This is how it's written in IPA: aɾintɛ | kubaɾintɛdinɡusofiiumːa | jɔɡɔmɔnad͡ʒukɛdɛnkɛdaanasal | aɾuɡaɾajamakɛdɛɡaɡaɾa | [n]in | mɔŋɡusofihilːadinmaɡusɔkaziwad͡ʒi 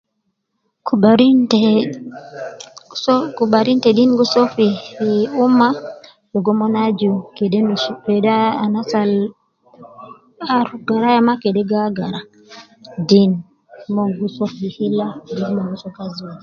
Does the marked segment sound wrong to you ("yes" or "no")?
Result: yes